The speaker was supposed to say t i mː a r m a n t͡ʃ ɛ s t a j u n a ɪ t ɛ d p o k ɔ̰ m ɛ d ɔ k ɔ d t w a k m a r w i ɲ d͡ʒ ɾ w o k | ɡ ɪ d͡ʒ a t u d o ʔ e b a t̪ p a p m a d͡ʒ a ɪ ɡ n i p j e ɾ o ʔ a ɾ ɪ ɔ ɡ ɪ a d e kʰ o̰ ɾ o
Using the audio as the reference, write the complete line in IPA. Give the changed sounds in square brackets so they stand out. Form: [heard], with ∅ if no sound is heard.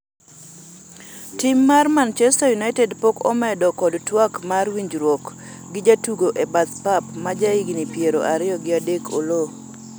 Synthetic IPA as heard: t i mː a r m a n t͡ʃ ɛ s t a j u n a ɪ t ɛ d p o k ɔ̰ m ɛ d ɔ k ɔ d t w a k m a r w i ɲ d͡ʒ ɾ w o k | ɡ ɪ d͡ʒ a t u [ɡ] o ʔ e b a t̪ p a p m a d͡ʒ a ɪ ɡ n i p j e ɾ o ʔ a ɾ ɪ ɔ ɡ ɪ a d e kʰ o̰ [l] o